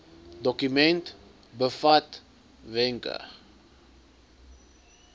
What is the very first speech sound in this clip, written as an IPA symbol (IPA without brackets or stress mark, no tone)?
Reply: d